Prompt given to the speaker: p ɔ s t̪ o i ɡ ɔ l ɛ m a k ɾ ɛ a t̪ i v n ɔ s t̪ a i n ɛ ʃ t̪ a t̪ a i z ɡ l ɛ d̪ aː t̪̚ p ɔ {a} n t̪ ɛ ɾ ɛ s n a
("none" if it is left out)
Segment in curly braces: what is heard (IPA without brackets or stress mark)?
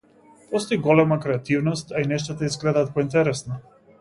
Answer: i